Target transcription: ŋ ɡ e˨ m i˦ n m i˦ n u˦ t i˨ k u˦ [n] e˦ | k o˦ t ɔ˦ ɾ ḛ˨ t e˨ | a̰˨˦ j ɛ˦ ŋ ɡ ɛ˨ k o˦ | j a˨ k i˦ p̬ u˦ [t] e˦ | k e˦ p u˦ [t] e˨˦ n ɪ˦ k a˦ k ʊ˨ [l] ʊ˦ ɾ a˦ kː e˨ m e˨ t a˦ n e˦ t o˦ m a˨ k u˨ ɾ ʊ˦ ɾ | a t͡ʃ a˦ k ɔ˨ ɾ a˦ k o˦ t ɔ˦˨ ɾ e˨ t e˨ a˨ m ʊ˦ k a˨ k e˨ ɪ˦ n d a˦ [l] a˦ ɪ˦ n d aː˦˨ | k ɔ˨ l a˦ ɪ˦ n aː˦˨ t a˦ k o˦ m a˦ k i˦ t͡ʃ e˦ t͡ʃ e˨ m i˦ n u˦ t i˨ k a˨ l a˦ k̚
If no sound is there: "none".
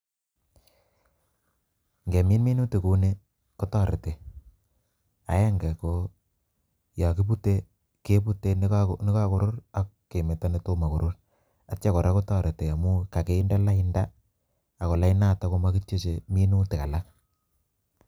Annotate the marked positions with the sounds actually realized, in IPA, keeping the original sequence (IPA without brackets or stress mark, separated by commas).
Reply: n, t, t, ɾ, l